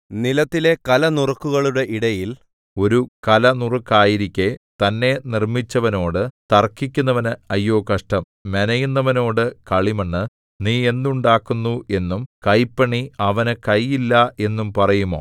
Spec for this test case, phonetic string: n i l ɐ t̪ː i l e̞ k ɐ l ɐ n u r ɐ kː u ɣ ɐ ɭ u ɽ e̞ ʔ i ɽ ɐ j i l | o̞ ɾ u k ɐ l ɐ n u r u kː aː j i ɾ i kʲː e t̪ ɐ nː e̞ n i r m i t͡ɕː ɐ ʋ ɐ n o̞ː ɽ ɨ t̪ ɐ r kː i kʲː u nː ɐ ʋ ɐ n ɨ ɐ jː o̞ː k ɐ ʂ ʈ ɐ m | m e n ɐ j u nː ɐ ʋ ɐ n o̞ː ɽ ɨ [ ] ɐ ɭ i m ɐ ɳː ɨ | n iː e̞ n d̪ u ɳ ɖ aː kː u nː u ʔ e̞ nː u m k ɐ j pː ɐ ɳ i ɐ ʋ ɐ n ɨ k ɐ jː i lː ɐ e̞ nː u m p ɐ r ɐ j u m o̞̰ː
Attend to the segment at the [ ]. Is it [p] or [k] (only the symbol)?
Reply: k